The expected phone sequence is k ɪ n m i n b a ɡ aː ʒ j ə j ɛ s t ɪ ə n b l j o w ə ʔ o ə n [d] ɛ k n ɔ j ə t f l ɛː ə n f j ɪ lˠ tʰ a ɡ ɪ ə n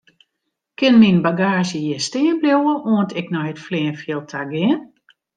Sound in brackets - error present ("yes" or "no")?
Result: yes